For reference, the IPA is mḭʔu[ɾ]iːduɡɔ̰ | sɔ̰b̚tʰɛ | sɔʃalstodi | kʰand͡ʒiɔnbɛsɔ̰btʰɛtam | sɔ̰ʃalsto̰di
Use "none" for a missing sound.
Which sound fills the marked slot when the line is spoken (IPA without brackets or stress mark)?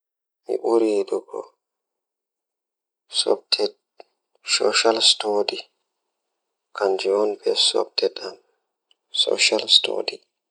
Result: ɾ